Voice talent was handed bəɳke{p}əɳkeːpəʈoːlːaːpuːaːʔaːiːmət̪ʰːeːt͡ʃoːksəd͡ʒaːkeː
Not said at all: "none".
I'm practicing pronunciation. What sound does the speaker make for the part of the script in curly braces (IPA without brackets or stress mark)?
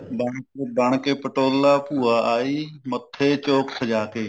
b